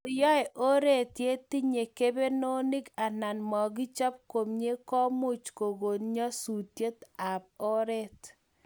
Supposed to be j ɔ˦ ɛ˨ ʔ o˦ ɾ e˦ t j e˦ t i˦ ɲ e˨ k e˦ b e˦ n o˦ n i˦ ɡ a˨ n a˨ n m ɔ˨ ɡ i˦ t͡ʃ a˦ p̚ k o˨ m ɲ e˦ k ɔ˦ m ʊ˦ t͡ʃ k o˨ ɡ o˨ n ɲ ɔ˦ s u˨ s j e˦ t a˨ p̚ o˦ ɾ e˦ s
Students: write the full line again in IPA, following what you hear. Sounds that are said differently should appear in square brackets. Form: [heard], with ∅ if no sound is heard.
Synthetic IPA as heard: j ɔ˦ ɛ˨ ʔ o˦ ɾ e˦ t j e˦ t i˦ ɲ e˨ k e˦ b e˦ n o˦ n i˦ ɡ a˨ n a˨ n m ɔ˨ ɡ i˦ t͡ʃ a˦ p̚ k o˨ m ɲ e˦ k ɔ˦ m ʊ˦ t͡ʃ k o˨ ɡ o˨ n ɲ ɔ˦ s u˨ [t] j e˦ t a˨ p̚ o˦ ɾ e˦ [t]